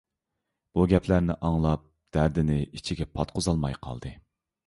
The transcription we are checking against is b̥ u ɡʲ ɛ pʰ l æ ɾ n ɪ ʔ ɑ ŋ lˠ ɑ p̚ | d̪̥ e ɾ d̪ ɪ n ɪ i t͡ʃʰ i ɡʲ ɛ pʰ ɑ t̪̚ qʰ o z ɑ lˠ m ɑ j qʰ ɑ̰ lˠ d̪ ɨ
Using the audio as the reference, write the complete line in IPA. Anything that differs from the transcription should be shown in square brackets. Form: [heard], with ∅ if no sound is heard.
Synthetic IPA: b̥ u ɡʲ ɛ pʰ l æ ɾ n ɪ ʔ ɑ ŋ lˠ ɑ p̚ | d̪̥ [æ] ɾ d̪ ɪ n ɪ i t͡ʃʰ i ɡʲ ɛ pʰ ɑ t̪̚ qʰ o z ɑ lˠ m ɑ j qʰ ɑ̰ lˠ d̪ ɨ